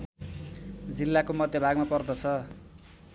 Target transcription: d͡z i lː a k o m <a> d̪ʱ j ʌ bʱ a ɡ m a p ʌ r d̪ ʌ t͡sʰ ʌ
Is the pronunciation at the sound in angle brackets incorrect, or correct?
incorrect